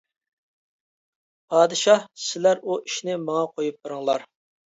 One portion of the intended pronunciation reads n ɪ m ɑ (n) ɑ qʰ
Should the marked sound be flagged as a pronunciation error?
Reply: yes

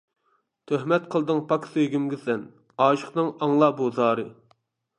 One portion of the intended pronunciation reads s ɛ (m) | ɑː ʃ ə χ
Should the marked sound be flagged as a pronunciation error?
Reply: yes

